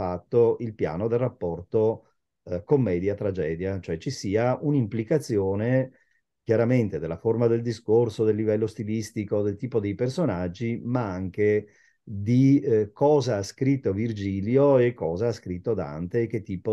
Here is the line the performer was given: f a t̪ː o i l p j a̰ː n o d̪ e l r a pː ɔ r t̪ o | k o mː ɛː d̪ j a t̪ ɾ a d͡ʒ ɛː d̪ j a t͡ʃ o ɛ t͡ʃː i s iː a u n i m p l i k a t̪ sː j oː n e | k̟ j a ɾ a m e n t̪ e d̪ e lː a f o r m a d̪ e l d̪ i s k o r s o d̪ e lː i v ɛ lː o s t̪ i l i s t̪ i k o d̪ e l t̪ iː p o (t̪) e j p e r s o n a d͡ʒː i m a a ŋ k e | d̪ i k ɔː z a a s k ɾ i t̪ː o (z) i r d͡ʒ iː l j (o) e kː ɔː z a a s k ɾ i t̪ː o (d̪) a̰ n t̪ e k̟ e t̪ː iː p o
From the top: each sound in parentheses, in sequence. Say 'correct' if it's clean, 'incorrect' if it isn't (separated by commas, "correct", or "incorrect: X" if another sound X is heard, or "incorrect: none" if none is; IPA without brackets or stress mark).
incorrect: d̪, incorrect: v, correct, correct